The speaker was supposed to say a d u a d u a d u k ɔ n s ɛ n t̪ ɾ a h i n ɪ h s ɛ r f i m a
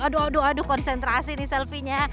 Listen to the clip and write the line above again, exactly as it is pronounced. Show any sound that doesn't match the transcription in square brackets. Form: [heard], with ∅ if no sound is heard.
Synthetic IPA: a d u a d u a d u k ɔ n s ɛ n t̪ ɾ a [s] i n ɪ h s ɛ [l] f i [ɲ] a